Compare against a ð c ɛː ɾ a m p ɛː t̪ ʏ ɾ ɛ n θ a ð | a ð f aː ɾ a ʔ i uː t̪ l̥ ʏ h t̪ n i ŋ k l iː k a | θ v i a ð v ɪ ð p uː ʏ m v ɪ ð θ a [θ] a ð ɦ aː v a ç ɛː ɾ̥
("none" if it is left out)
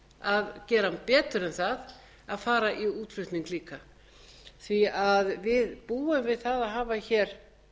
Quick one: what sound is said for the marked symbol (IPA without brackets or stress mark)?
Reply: ð